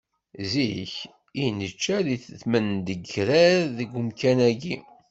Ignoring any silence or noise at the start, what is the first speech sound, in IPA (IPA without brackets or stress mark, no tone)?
z